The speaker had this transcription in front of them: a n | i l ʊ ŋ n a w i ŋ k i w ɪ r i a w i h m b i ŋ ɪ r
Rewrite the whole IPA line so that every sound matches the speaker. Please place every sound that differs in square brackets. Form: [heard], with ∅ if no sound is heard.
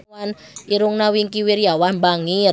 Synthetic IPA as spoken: a n | i [ɾ] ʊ ŋ n a w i ŋ k i w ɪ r [j] a w [a] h m b [a] ŋ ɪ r